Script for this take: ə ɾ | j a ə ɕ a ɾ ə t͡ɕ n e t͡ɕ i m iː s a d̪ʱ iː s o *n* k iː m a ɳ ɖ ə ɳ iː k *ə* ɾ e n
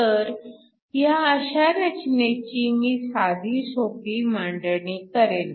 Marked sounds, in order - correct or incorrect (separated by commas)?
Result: incorrect, correct